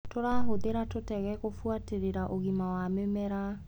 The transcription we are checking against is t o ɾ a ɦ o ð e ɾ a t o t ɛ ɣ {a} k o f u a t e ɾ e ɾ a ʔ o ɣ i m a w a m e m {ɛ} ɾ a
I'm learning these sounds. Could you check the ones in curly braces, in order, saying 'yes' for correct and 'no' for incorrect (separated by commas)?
no, yes